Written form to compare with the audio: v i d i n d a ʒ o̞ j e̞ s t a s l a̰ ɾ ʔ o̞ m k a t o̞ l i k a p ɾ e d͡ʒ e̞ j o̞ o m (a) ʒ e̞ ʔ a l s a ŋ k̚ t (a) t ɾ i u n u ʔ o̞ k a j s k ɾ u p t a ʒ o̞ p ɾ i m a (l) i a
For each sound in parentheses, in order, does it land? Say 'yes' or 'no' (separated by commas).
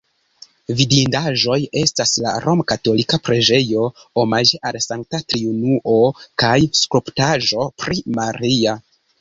yes, yes, no